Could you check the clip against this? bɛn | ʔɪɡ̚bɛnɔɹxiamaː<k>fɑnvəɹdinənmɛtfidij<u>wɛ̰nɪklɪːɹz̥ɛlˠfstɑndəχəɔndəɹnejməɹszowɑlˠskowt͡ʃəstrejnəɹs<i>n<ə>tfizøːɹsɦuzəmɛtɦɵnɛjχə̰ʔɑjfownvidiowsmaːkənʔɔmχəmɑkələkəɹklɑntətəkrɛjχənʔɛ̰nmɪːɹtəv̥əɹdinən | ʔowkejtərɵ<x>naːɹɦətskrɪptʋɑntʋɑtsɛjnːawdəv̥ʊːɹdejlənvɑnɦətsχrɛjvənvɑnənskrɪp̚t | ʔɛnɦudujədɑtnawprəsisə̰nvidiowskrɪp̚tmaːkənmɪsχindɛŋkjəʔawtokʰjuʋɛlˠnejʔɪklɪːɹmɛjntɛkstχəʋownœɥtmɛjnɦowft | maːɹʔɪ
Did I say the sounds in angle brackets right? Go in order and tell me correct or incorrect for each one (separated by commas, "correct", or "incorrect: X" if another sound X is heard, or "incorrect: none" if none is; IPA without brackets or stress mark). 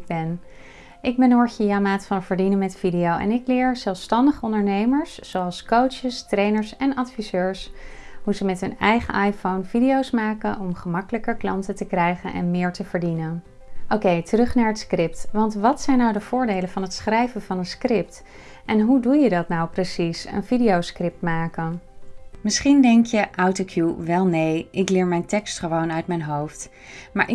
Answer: incorrect: t, incorrect: o, incorrect: ɛ, incorrect: ɑ, incorrect: χ